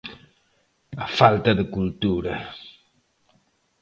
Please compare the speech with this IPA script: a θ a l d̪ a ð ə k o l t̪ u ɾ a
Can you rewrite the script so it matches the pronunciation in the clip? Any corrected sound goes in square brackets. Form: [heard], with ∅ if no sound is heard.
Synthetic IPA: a [f] a l [t̪] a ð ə k [u] l t̪ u ɾ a